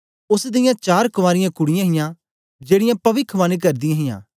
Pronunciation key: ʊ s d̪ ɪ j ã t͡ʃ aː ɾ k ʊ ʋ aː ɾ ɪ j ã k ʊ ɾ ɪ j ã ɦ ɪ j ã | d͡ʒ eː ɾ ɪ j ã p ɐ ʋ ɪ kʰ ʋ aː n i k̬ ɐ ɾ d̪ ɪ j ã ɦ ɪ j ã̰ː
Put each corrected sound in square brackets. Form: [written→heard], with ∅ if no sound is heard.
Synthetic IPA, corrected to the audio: ʊ s d̪ ɪ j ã t͡ʃ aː ɾ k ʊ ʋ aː ɾ ɪ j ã k ʊ [ɾ→ɽ] ɪ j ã ɦ ɪ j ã | d͡ʒ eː [ɾ→ɽ] ɪ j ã p ɐ ʋ ɪ kʰ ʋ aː n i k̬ ɐ ɾ d̪ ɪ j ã ɦ ɪ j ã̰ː

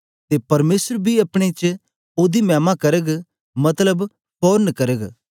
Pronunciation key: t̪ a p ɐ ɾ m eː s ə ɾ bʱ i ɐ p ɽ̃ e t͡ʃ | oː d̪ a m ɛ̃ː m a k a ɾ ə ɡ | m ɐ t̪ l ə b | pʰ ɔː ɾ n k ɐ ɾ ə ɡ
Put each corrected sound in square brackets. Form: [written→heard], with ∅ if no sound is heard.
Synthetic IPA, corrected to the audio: t̪ [a→e] p ɐ ɾ m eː s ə ɾ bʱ i ɐ p ɽ̃ e t͡ʃ | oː d̪ [a→i] m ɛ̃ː m a k [a→ɐ] ɾ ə ɡ | m ɐ t̪ l ə b | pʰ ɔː ɾ n k ɐ ɾ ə ɡ

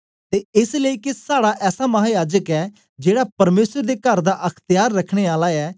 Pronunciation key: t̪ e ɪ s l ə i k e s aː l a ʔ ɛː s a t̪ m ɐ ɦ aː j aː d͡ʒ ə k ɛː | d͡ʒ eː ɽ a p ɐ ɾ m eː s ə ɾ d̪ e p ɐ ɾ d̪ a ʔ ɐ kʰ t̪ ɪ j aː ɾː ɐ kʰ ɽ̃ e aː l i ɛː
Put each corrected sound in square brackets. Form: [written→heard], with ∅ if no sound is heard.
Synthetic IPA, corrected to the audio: t̪ e ɪ s l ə i k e s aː [l→ɽ] a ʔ ɛː s a [t̪→∅] m ɐ ɦ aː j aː d͡ʒ ə k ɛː | d͡ʒ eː ɽ a p ɐ ɾ m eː s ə ɾ d̪ e [p→k] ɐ ɾ d̪ a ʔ ɐ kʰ t̪ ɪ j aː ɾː ɐ kʰ ɽ̃ e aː l [i→a] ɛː

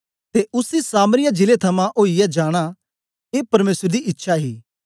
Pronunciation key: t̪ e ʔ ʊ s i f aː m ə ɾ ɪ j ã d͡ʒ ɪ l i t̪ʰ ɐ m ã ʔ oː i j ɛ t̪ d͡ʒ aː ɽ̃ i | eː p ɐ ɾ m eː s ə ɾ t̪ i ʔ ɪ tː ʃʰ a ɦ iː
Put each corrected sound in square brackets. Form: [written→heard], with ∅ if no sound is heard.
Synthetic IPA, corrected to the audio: t̪ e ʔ ʊ s i [f→s] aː m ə ɾ ɪ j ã d͡ʒ ɪ l [i→e] t̪ʰ ɐ m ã ʔ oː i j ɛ [t̪→∅] d͡ʒ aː ɽ̃ [i→a] | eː p ɐ ɾ m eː s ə ɾ [t̪→d̪] i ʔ ɪ tː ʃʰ a ɦ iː

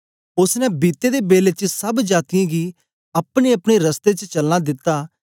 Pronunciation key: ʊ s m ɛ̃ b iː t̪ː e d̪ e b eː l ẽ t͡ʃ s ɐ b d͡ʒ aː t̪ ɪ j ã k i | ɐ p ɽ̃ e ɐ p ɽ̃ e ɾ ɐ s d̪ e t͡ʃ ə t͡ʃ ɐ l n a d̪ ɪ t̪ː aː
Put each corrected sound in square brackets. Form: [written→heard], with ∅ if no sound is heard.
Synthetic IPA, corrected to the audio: ʊ s [m→n] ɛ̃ b iː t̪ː e d̪ e b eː l [ẽ→e] t͡ʃ s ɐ b d͡ʒ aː t̪ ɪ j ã [k→ɡ] i | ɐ p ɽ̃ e ɐ p ɽ̃ e ɾ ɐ s [d̪→t̪] e t͡ʃ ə t͡ʃ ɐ l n a d̪ ɪ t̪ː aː

